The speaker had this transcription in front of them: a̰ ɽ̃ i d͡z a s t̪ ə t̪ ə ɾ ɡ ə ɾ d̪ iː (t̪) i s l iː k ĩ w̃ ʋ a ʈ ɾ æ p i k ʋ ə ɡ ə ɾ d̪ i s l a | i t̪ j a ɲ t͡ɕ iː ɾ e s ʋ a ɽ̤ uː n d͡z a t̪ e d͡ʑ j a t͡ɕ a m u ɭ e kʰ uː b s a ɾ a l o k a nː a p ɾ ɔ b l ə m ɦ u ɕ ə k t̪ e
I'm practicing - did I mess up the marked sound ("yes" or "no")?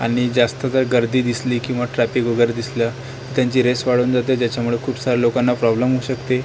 yes